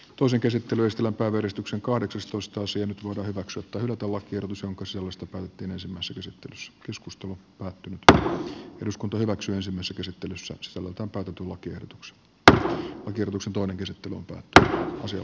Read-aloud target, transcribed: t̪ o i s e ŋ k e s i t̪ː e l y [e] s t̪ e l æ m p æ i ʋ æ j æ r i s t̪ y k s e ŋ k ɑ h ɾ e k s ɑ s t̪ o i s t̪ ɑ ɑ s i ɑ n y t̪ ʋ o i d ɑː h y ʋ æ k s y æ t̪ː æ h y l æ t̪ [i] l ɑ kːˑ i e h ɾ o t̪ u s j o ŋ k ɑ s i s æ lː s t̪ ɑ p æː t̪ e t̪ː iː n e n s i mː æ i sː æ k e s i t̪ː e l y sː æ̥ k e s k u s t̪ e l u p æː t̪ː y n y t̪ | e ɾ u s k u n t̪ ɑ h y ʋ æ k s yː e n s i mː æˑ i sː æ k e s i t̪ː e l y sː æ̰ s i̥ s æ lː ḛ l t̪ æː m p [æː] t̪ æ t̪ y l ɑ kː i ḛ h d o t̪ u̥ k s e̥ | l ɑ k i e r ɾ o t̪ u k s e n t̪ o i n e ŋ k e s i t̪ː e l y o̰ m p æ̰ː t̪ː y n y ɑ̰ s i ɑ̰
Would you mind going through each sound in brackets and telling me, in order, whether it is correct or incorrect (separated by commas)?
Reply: correct, incorrect, correct